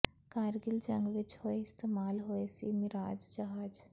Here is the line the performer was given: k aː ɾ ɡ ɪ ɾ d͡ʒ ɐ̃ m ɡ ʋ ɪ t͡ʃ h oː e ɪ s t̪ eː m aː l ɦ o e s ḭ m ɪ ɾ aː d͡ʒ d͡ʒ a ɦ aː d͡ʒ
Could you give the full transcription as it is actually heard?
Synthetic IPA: k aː ɾ ɡ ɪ l d͡ʒ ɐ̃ ŋ ɡ ʋ ɪ t͡ʃ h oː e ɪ s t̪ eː m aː l ɦ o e s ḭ m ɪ ɾ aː d͡ʒ d͡ʒ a ɦ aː d͡ʒ

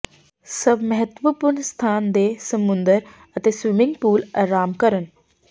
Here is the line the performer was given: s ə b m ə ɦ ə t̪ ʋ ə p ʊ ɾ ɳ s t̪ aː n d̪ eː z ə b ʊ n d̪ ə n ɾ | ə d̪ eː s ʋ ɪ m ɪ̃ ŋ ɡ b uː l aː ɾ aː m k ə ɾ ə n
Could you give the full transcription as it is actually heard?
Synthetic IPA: s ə b m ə ɦ ə t̪ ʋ ə p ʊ ɾ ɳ s t̪ʰ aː n d̪ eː s ə m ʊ n d̪ ə ɾ | ə t̪ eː s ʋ ɪ m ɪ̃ ŋ ɡ p uː l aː ɾ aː m k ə ɾ ə n

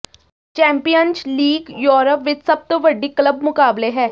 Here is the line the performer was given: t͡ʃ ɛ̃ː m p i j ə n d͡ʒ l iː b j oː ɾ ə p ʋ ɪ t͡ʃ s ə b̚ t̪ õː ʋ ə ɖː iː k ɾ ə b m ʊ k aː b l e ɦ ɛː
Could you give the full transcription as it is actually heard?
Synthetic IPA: t͡ʃ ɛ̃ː m p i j ə n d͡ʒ l iː ɡ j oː ɾ ə p ʋ ɪ t͡ʃ s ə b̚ t̪ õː ʋ ə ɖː iː k l ə b m ʊ k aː b l e ɦ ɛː

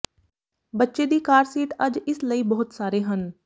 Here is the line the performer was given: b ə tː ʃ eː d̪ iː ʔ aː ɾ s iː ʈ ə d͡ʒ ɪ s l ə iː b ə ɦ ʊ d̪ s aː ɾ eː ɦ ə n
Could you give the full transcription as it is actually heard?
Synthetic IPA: b ə tː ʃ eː d̪ iː k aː ɾ s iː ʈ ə d͡ʒ ɪ s l ə iː b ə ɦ ʊ t̪ s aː ɾ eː ɦ ə n

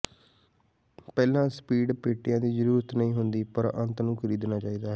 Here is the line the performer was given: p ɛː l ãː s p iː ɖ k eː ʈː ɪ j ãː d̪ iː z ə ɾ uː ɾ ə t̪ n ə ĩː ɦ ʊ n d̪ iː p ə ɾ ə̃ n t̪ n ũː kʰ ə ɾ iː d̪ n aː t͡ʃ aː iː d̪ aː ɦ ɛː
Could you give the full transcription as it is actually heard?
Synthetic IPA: p ɛː l ãː s p iː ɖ p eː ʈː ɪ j ãː d̪ iː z ə ɾ uː ɾ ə t̪ n ə ĩː ɦ ʊ n d̪ iː p ə ɾ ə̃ n t̪ n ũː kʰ ə ɾ iː d̪ n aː t͡ʃ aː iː d̪ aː ɦ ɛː

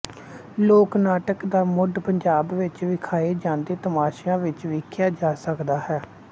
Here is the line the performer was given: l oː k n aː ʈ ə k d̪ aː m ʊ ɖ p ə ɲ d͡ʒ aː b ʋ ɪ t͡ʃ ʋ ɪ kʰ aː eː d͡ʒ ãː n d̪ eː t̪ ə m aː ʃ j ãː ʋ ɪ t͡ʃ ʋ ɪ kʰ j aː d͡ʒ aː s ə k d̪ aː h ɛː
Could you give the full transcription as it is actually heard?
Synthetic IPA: l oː k n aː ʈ ə k d̪ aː m ʊ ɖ p ə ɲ d͡ʒ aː b ʋ ɪ t͡ʃ ʋ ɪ kʰ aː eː d͡ʒ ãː n d̪ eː t̪ ə m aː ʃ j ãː ʋ ɪ t͡ʃ ʋ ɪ kʰ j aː d͡ʒ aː s ə k d̪ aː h ɛː

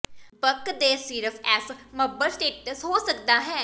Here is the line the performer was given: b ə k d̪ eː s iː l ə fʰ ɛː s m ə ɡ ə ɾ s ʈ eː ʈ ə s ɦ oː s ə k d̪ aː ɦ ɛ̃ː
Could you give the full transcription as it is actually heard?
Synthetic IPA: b ə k d̪ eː s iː ɾ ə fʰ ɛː s m ə b ə ɾ s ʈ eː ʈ ə s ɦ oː s ə k d̪ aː ɦ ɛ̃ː

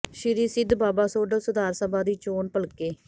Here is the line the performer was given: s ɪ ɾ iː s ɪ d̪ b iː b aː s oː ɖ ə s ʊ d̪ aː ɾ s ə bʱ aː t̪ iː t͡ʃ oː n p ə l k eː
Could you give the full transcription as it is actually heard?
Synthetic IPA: ʃ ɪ ɾ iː s ɪ d̪ b aː b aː s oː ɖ ə s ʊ d̪ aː ɾ s ə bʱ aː d̪ iː t͡ʃ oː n p ə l k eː

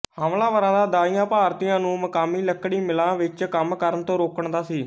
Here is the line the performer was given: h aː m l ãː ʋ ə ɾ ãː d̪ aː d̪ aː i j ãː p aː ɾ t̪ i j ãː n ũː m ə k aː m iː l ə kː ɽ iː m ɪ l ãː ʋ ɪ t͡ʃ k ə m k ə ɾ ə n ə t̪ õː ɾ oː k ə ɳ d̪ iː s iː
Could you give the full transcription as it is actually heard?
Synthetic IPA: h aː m l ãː ʋ ə ɾ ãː d̪ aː d̪ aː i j ãː p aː ɾ t̪ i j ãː n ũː m ə k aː m iː l ə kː ɽ iː m ɪ l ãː ʋ ɪ t͡ʃ k ə m k ə ɾ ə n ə t̪ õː ɾ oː k ə ɳ d̪ aː s iː

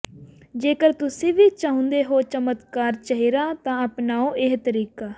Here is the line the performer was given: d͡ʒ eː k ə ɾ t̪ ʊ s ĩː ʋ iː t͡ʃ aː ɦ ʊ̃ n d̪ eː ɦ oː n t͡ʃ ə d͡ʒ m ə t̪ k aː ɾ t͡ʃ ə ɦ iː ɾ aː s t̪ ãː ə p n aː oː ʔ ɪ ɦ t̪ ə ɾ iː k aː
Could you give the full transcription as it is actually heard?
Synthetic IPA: d͡ʒ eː k ə ɾ t̪ ʊ s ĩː ʋ iː t͡ʃ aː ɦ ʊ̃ n d̪ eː ɦ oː t͡ʃ ə m ə t̪ k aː ɾ t͡ʃ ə ɦ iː ɾ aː t̪ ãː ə p n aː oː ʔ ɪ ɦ t̪ ə ɾ iː k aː

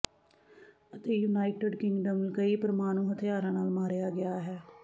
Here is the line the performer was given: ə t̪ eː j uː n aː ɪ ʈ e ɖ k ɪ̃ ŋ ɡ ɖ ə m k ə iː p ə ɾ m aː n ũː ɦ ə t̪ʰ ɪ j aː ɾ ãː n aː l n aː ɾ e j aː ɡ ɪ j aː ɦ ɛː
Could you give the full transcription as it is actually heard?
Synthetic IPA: ə t̪ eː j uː n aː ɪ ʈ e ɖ k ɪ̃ ŋ ɡ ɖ ə m k ə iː p ə ɾ m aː n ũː ɦ ə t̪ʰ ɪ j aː ɾ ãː n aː l m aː ɾ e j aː ɡ ɪ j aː ɦ ɛː

